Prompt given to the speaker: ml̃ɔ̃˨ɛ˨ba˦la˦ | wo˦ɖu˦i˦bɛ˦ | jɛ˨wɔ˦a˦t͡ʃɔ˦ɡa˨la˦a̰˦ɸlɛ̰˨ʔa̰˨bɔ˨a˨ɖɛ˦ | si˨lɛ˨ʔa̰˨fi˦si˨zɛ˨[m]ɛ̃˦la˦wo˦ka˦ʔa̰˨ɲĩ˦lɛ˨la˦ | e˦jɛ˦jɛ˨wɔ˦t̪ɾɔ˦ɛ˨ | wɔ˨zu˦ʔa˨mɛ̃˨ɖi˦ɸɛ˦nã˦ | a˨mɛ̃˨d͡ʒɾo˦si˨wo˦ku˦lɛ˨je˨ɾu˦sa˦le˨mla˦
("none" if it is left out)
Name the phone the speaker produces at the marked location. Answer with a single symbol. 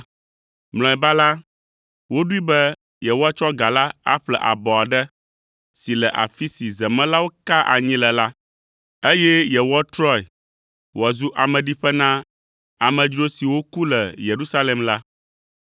m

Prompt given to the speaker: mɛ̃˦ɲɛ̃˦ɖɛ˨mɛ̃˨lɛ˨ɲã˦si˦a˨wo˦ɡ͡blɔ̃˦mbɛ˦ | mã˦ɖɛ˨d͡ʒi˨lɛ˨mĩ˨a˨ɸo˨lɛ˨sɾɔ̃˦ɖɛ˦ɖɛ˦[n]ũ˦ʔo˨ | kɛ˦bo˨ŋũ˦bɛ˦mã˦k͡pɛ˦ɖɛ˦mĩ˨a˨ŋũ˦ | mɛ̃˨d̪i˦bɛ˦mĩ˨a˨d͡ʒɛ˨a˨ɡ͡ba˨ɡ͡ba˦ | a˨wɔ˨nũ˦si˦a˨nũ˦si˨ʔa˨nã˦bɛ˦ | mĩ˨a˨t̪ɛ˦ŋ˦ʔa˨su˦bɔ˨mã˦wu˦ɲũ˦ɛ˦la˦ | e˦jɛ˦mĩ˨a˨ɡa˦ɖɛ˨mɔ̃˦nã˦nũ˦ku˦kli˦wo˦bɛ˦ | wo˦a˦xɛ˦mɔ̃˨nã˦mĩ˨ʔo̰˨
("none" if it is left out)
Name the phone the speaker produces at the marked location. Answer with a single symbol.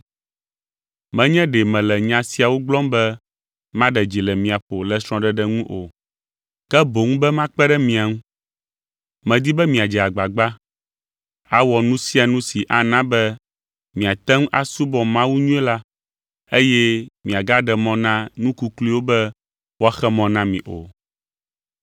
ŋ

